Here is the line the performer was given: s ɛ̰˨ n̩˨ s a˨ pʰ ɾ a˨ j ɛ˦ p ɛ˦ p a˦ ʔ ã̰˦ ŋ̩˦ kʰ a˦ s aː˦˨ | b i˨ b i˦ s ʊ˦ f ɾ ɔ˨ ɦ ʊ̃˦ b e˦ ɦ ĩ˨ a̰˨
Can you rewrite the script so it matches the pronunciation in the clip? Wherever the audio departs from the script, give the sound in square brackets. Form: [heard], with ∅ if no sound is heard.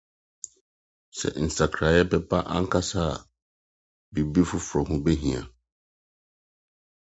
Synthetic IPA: s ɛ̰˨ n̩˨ s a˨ [kʰ] ɾ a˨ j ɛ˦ p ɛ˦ p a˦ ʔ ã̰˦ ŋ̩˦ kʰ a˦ s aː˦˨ | b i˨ b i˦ [f] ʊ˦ f ɾ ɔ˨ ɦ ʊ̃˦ b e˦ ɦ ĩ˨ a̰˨